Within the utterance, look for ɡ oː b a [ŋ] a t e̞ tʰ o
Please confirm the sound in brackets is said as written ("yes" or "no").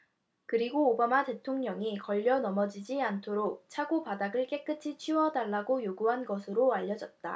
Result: no